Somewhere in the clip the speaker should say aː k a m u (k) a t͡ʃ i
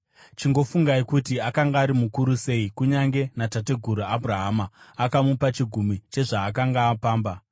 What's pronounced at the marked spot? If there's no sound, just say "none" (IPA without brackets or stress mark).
p